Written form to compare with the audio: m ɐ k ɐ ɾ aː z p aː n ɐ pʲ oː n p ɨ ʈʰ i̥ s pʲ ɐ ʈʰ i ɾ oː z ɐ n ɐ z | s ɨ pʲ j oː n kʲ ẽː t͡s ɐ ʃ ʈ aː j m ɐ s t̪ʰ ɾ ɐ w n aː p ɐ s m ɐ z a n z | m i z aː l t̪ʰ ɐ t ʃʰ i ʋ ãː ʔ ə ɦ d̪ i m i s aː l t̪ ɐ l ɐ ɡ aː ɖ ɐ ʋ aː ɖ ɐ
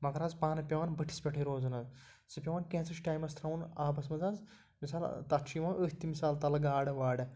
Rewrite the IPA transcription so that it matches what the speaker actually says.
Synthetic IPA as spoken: m ɐ k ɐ ɾ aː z p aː n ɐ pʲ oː n b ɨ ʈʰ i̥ s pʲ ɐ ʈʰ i ɾ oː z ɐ n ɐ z | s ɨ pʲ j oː n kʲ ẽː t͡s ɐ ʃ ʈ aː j m ɐ s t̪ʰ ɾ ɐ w n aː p ɐ s m ɐ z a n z | m i s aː l t̪ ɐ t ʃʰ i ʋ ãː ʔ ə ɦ t̪ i m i s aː l t̪ ɐ l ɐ ɡ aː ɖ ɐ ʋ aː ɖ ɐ